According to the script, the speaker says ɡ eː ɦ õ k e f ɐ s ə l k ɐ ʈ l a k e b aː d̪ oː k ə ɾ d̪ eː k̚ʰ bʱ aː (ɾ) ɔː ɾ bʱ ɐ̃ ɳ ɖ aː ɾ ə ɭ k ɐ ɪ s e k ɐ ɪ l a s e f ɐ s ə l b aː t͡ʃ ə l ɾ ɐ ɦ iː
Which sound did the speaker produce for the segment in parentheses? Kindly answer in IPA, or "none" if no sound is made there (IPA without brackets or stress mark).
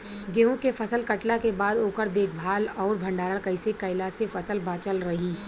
l